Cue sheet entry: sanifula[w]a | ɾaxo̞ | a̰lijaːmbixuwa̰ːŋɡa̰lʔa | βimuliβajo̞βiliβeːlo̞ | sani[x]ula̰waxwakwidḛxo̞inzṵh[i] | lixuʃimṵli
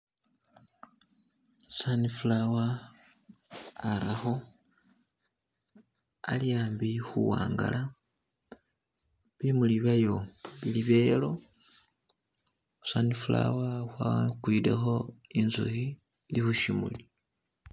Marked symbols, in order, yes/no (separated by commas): yes, no, yes